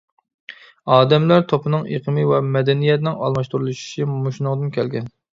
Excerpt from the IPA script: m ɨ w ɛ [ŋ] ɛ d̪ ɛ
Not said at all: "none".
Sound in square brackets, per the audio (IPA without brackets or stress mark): m